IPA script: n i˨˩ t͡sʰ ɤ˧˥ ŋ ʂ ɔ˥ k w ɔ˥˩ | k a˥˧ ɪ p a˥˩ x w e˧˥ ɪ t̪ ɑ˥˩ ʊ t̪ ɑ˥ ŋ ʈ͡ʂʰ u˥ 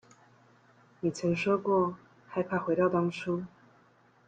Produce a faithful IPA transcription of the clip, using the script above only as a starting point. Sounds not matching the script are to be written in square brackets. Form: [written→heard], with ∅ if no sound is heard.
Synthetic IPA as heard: n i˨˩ t͡sʰ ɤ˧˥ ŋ ʂ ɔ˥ k w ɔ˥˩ | [k→x] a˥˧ ɪ [p→pʰ] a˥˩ x w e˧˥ ɪ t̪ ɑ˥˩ ʊ t̪ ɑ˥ ŋ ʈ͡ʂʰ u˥